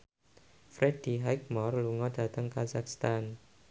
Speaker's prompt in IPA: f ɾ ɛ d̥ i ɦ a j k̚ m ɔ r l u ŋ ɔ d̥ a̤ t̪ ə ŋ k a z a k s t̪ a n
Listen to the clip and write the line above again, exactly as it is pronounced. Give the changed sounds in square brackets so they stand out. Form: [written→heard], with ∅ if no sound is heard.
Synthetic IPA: f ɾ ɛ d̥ i ɦ a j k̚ m ɔ r l u ŋ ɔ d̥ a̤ t̪ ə ŋ k a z a k s t̪ a n